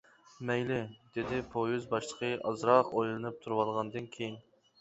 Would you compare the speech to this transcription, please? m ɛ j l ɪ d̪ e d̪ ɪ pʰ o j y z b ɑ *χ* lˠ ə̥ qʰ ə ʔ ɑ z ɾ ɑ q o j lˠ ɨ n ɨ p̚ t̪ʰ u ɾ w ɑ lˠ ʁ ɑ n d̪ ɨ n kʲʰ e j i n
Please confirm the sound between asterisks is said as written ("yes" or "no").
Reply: no